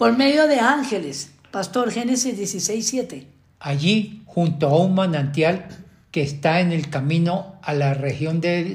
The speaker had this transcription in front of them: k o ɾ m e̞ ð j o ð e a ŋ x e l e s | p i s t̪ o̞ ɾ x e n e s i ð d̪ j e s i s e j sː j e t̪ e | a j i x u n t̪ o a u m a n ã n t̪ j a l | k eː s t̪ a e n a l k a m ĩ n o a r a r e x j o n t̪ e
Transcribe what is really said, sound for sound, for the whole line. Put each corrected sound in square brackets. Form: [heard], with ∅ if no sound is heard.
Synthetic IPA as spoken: [p] o ɾ m e̞ ð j o ð e a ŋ x e l e s | p [a] s t̪ o̞ ɾ x e n e s i [z] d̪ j e s i s e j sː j e t̪ e | a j i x u n t̪ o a u m a n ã n t̪ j a l | k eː s t̪ a e n [e] l k a m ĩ n o a [l] a r e x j o n [d̪] e